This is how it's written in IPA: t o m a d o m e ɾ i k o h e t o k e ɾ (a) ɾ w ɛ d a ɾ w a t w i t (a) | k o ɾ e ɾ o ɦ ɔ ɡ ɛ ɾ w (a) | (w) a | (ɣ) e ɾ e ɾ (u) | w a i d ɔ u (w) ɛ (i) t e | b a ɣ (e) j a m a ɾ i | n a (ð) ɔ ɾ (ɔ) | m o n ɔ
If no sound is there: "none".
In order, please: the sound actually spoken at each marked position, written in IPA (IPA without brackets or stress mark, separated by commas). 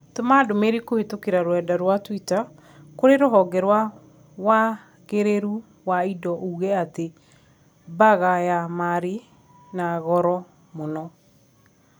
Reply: a, a, a, w, ɣ, u, ɣ, a, a, ɣ, ɔ